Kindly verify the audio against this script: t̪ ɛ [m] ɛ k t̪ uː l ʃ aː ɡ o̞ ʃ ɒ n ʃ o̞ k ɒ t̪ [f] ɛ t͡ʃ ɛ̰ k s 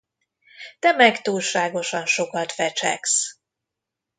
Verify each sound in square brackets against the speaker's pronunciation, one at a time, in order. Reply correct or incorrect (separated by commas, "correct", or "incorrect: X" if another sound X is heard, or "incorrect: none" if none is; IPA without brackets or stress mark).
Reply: correct, correct